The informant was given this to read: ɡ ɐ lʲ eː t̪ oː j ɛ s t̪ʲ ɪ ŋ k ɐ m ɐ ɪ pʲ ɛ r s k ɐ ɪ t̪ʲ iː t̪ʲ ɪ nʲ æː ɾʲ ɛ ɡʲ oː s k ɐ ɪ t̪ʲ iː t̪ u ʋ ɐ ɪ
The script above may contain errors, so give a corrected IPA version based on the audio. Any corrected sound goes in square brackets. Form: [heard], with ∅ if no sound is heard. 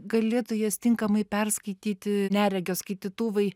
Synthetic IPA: ɡ ɐ lʲ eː t̪ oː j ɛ s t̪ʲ ɪ ŋ k ɐ m ɐ ɪ pʲ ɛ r s k ɐ ɪ t̪ʲ iː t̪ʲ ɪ nʲ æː ɾʲ ɛ ɡʲ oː s k ɐ ɪ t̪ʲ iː t̪ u ʋ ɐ ɪ

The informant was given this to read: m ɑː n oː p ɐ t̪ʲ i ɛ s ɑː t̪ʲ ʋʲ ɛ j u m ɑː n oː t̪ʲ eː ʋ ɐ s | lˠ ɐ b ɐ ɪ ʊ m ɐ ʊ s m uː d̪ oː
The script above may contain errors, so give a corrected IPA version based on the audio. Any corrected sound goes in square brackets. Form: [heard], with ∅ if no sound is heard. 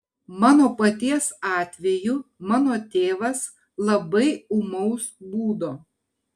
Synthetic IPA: m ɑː n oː p ɐ t̪ʲ i ɛ s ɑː t̪ʲ ʋʲ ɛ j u m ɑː n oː t̪ʲ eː ʋ ɐ s | lˠ ɐ b ɐ ɪ ʊ m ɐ ʊ s [b] uː d̪ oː

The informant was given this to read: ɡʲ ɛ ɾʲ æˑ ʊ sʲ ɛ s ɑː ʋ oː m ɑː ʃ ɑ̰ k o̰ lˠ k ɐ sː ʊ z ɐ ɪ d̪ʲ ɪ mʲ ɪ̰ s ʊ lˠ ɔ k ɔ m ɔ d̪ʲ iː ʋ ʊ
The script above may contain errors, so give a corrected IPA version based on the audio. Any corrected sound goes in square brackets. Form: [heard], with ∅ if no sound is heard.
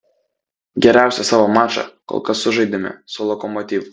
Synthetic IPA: ɡʲ ɛ ɾʲ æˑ ʊ sʲ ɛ s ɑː ʋ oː m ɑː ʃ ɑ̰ k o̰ lˠ k ɐ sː ʊ [ʒ] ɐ ɪ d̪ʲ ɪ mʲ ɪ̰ s ʊ lˠ ɔ k ɔ m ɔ [t̪ʲ] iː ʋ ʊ

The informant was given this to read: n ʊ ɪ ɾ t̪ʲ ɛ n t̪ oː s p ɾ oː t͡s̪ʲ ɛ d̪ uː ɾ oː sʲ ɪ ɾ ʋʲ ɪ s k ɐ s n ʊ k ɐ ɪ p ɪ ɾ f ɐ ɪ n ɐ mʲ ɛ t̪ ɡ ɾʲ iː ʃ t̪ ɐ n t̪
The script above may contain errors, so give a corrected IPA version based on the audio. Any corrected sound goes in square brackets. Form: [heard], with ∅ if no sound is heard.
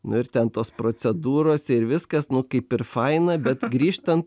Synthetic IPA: n ʊ ɪ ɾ t̪ʲ ɛ n t̪ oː s p ɾ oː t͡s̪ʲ ɛ d̪ uː ɾ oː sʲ ɪ ɾ ʋʲ ɪ s k ɐ s n ʊ k ɐ ɪ p ɪ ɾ f ɐ ɪ n ɐ [bʲ] ɛ t̪ ɡ ɾʲ iː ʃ t̪ ɐ n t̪

